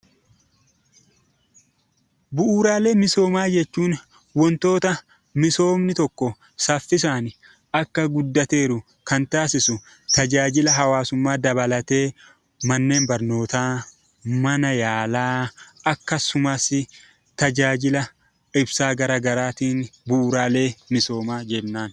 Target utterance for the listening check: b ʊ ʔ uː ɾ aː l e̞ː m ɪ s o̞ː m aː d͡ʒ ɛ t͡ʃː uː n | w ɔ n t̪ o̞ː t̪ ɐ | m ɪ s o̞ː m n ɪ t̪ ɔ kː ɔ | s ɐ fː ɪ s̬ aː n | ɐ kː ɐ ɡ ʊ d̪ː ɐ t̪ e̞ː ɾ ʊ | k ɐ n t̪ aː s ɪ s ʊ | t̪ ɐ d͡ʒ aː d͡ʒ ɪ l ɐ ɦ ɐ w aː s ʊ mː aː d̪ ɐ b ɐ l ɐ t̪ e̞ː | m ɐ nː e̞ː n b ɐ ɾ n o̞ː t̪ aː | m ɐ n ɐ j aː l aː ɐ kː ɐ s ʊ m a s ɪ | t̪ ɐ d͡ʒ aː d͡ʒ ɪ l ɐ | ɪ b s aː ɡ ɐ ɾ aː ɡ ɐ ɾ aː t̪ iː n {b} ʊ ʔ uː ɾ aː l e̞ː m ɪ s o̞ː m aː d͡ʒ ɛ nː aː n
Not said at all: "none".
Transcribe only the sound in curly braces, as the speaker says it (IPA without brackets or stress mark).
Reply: b